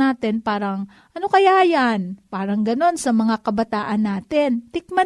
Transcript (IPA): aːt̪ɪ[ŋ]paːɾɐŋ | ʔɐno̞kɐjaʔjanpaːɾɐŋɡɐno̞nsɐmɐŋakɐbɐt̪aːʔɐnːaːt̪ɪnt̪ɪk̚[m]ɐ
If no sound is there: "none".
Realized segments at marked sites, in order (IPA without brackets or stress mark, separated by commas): n, m